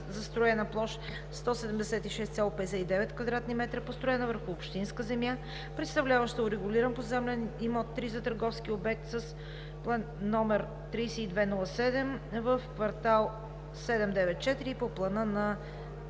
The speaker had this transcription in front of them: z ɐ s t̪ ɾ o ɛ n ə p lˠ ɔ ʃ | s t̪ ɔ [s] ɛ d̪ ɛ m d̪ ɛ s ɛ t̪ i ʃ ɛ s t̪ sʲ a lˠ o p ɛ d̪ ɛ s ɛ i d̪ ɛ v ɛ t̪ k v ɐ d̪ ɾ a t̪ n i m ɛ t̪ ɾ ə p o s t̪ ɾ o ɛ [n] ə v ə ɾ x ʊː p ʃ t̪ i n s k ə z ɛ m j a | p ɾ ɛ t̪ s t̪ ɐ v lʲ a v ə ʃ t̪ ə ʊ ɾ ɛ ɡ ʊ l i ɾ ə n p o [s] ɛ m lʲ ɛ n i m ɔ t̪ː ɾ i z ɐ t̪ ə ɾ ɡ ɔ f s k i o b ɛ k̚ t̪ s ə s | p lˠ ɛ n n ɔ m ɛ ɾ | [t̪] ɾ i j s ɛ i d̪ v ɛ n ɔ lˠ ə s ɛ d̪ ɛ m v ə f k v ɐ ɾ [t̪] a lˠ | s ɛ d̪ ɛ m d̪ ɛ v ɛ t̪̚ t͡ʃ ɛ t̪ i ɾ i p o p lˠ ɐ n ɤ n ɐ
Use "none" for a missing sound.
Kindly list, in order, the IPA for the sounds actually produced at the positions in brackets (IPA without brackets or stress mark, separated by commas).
s, n, z, t̪, t̪